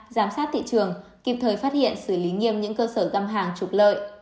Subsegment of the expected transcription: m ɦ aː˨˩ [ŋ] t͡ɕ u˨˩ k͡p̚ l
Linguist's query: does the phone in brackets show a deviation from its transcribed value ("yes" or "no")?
no